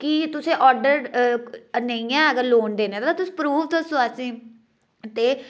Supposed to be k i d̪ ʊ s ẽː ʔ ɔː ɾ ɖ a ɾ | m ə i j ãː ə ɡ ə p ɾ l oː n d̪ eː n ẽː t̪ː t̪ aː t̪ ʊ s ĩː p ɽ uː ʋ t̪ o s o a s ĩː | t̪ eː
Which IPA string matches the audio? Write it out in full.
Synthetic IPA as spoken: k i t̪ ʊ s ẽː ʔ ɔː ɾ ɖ ə ɾ | n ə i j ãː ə ɡ ə ɾ l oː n d̪ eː n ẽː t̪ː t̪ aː t̪ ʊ s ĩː p ɾ uː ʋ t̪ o s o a s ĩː | t̪ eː